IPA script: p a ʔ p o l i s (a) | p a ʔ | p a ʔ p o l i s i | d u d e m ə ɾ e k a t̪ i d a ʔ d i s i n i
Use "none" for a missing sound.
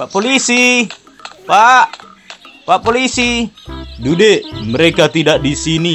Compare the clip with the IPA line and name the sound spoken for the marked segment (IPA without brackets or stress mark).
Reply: i